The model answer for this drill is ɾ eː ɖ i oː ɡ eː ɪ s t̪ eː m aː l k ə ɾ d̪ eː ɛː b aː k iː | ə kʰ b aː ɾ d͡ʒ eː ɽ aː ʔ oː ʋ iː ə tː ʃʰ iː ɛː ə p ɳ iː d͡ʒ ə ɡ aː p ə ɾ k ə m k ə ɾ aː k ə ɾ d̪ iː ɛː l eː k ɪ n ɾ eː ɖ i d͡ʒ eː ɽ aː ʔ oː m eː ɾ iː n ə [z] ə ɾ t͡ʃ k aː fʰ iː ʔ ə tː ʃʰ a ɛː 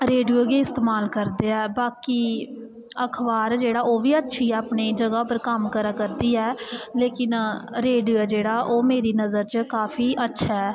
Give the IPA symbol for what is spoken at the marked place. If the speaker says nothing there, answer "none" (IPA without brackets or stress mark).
z